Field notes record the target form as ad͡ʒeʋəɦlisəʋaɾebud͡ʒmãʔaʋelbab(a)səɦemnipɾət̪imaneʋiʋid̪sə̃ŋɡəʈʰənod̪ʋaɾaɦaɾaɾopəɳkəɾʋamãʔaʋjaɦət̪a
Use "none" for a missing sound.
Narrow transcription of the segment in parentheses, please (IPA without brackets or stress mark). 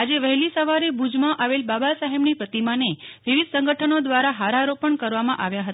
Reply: a